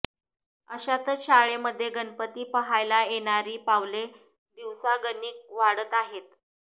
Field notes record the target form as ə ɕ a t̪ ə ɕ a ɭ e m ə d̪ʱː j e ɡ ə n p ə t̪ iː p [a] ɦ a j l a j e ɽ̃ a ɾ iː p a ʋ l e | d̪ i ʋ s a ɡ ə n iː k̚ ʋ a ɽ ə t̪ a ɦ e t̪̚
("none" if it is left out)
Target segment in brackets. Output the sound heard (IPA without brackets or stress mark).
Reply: ə